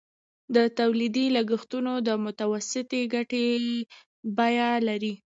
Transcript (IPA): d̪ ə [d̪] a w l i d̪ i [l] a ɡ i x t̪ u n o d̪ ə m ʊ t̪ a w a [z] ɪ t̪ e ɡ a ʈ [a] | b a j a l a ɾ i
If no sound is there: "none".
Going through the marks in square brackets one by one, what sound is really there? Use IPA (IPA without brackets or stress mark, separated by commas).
t̪, l, s, e